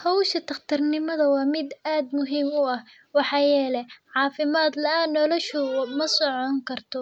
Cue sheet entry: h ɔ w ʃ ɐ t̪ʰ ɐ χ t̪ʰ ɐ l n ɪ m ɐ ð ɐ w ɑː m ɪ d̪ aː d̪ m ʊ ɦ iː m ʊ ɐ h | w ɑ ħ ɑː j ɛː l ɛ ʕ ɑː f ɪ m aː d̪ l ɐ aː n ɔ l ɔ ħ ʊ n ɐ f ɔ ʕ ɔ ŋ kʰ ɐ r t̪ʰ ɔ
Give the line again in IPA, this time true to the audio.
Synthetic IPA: h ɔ w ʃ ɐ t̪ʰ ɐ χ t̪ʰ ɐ r n ɪ m ɐ ð ɐ w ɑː m ɪ d̪ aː d̪ m ʊ ɦ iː m ʊ ɐ h | w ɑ ħ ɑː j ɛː l ɛ ʕ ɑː f ɪ m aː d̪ l ɐ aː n ɔ l ɔ ʃ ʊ m ɐ s ɔ ʕ ɔ ŋ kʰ ɐ r t̪ʰ ɔ